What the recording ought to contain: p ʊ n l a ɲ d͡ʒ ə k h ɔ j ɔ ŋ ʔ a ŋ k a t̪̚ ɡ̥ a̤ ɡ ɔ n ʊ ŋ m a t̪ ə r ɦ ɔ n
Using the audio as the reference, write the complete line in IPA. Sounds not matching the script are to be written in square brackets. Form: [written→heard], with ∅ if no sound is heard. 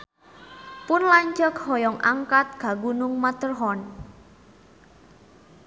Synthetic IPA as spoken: p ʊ n l a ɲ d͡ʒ ə k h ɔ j ɔ ŋ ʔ a ŋ k a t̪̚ ɡ̥ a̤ ɡ [ɔ→u] n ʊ ŋ m a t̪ ə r ɦ ɔ n